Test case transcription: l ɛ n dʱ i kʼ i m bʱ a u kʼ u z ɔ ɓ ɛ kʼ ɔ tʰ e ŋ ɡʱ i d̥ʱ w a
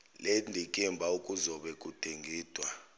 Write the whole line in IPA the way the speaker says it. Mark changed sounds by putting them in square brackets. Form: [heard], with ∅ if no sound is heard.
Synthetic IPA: l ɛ n dʱ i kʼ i m bʱ a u kʼ u z ɔ ɓ ɛ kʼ [u] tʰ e ŋ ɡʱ [iː] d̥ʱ w a